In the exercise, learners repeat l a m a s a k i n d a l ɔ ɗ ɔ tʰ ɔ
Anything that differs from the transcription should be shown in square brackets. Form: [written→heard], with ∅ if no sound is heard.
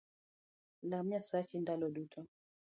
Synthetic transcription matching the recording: l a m a s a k i n d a l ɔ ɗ [ɔ→u] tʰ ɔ

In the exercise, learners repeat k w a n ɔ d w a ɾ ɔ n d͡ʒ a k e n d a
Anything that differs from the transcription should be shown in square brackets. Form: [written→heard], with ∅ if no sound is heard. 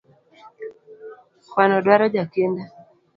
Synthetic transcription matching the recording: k w a n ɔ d w a ɾ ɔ [n→∅] d͡ʒ a k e n d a

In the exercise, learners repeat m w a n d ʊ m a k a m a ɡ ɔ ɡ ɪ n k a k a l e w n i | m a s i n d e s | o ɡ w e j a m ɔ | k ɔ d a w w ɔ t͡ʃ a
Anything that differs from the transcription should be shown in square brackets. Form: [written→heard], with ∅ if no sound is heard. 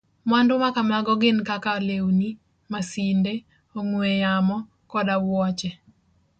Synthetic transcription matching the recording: m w a n d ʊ m a k a m a ɡ ɔ ɡ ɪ n k a k a l e w n i | m a s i n d e [s→∅] | o [ɡ→ŋ] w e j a m ɔ | k ɔ d a w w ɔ t͡ʃ [a→ɛ]

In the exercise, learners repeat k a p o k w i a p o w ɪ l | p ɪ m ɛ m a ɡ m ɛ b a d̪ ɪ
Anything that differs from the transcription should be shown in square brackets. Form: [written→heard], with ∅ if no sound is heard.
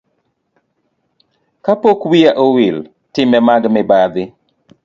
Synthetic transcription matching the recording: k a p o k w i a [p→ʔ] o w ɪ l | [p→t] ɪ m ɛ m a ɡ m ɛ b a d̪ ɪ

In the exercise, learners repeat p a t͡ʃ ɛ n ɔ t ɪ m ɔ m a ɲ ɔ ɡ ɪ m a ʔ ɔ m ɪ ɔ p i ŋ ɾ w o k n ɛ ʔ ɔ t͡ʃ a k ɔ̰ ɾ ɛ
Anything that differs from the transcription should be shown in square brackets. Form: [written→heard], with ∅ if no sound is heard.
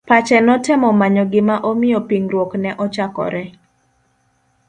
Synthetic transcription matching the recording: p a t͡ʃ ɛ n ɔ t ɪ m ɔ m a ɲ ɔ ɡ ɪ m a ʔ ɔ m ɪ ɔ p i ŋ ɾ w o k n ɛ ʔ ɔ t͡ʃ a k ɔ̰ ɾ ɛ

